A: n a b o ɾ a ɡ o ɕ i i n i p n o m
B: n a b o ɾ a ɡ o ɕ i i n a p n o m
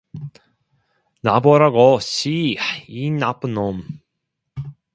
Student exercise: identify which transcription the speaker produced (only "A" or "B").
B